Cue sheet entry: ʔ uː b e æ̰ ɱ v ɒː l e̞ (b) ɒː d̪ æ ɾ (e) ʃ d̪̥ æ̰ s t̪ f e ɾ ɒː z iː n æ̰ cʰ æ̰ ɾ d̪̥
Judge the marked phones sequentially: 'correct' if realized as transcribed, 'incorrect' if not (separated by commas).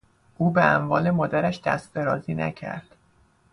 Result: incorrect, incorrect